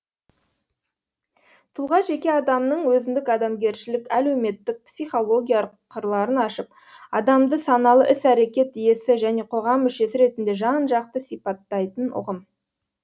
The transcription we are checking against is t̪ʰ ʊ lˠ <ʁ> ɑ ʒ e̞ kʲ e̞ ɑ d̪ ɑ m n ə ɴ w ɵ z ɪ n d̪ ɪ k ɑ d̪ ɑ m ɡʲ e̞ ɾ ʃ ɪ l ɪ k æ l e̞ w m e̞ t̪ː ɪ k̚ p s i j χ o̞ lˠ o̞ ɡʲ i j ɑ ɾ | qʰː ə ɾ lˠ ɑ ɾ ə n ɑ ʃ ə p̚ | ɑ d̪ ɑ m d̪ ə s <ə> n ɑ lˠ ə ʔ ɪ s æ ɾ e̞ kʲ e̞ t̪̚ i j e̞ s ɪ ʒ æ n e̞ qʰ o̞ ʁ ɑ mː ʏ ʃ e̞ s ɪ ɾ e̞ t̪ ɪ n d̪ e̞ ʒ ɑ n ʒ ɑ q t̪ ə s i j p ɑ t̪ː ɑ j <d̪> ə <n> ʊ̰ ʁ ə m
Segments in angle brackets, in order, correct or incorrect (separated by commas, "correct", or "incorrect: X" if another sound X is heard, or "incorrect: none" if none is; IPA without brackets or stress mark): correct, incorrect: ɑ, incorrect: t̪, correct